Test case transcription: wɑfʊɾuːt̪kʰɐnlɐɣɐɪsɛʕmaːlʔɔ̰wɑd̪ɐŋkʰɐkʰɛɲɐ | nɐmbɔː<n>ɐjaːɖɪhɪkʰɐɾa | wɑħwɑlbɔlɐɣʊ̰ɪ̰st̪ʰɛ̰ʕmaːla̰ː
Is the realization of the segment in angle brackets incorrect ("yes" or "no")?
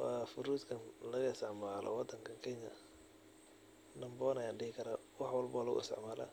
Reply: no